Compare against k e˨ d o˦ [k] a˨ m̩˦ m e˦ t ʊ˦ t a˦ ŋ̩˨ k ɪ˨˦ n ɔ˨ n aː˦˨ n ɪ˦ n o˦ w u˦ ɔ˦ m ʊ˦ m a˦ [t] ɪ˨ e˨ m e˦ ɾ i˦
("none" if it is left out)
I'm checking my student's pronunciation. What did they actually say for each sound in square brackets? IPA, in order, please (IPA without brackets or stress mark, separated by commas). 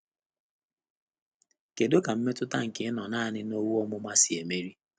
k, s